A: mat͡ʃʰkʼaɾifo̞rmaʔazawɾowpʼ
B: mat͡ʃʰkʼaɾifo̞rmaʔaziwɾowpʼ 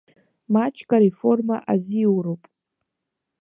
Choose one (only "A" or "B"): B